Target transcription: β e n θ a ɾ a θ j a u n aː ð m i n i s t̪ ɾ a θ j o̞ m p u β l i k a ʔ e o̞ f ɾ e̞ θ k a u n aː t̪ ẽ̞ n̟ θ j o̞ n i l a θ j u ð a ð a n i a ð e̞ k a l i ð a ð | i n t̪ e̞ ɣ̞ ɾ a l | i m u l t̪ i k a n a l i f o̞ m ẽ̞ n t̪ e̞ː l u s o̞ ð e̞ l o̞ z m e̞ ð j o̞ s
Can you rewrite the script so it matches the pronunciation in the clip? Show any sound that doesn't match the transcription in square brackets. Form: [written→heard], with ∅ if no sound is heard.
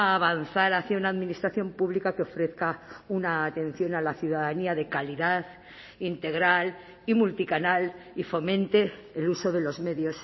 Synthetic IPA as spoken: β [e→a] n θ a ɾ a θ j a u n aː ð m i n i s t̪ ɾ a θ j o̞ m p u β l i k a [ʔ→k] e o̞ f ɾ e̞ θ k a u n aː t̪ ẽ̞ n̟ θ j o̞ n [i→a] l a θ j u ð a ð a n i a ð e̞ k a l i ð a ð | i n t̪ e̞ ɣ̞ ɾ a l | i m u l t̪ i k a n a l i f o̞ m ẽ̞ n t̪ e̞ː l u s o̞ ð e̞ l o̞ z m e̞ ð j o̞ s